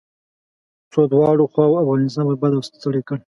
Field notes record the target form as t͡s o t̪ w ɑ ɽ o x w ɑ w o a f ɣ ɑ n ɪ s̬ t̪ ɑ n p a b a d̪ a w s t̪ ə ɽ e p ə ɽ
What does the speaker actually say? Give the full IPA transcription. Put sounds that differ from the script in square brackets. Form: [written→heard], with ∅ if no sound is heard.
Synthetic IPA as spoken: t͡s o [t̪→d̪] w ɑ ɽ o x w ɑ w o a f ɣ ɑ n ɪ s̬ t̪ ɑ n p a b a d̪ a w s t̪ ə ɽ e [p→k] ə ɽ